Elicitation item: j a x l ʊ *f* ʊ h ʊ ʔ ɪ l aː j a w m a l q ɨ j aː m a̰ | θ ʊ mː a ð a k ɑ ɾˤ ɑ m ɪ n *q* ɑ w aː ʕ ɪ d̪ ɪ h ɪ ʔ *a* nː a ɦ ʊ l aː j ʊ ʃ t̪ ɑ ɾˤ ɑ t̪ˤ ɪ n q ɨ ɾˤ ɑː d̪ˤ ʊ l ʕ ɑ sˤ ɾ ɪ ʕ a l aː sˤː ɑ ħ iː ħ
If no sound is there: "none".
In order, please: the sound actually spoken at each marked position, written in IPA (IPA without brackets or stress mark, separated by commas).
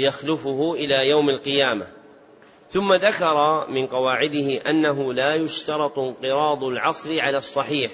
f, q, a